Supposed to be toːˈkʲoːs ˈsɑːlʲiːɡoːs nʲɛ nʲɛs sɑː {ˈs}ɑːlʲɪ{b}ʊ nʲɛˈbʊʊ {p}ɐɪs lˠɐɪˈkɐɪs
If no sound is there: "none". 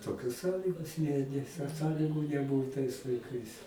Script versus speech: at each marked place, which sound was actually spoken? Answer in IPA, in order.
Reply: s, ɡ, t

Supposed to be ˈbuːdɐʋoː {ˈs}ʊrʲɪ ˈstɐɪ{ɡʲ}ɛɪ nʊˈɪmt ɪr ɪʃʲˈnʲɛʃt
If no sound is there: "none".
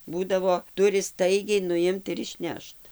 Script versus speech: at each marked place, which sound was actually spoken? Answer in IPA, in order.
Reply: t, ɡʲ

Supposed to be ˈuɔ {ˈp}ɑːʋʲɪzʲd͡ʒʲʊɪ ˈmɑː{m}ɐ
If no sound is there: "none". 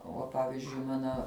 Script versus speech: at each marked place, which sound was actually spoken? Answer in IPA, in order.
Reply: p, n

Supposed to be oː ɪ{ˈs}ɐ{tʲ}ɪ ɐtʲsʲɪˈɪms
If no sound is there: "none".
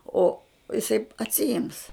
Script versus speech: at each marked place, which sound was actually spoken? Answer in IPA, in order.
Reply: s, none

